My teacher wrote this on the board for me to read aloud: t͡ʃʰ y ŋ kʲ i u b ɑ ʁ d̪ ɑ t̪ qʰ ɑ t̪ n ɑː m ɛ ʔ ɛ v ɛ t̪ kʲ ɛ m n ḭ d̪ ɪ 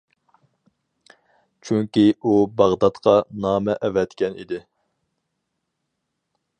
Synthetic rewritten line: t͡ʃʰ y ŋ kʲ i u b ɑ ʁ d̪ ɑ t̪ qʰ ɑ n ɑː m ɛ ʔ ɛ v ɛ t̪ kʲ ɛ n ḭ d̪ ɪ